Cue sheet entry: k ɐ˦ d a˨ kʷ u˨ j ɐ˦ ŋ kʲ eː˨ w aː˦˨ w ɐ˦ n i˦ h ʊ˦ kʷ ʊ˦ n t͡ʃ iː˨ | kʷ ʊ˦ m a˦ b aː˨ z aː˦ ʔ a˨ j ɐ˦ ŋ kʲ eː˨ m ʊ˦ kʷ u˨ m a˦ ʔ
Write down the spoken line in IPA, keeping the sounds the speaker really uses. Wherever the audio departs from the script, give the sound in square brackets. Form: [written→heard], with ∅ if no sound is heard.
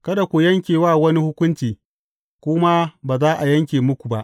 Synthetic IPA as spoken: k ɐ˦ d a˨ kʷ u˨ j ɐ˦ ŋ kʲ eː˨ w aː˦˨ w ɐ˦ n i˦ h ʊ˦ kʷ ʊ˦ n t͡ʃ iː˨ | kʷ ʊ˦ m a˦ b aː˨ z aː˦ ʔ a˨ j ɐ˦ ŋ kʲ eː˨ m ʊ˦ kʷ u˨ [m→b] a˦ ʔ